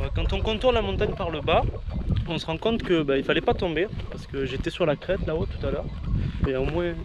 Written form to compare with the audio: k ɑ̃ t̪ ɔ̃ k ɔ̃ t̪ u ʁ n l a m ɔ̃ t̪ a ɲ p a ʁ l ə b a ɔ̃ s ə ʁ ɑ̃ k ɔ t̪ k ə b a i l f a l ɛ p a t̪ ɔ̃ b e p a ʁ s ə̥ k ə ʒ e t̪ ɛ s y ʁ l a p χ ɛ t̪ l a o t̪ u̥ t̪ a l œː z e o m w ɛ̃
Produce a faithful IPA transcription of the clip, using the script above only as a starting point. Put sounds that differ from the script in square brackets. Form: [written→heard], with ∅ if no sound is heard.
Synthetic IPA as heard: k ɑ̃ t̪ ɔ̃ k ɔ̃ t̪ u ʁ n l a m ɔ̃ t̪ a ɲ p a ʁ l ə b a ɔ̃ s ə ʁ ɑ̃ k [ɔ→ɔ̃] t̪ k ə b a i l f a l ɛ p a t̪ ɔ̃ b e p a ʁ s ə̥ k ə ʒ e t̪ ɛ s y ʁ l a [p→k] χ ɛ t̪ l a o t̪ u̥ t̪ a l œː [z→ʁ] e o m w ɛ̃